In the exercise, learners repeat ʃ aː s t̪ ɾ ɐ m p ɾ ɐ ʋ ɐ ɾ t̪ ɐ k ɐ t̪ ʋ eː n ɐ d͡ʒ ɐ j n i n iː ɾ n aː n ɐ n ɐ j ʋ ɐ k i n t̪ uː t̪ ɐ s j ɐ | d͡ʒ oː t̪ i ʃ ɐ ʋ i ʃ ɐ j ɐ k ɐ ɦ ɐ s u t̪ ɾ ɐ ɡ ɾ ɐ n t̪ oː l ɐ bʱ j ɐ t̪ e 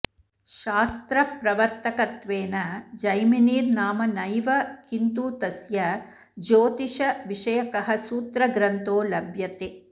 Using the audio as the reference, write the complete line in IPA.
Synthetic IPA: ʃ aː s t̪ ɾ ɐ p ɾ ɐ ʋ ɐ ɾ t̪ ɐ k ɐ t̪ ʋ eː n ɐ d͡ʒ ɐ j m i n iː ɾ n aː m ɐ n ɐ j ʋ ɐ k i n t̪ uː t̪ ɐ s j ɐ | d͡ʒ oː t̪ i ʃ ɐ ʋ i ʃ ɐ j ɐ k ɐ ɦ ɐ s uː t̪ ɾ ɐ ɡ ɾ ɐ n t̪ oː l ɐ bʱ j ɐ t̪ e